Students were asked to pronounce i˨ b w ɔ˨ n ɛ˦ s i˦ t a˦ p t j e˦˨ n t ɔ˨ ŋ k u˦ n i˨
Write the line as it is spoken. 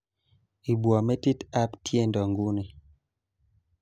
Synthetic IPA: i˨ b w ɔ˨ m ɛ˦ t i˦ t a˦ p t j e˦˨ n d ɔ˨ ŋ ɡ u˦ n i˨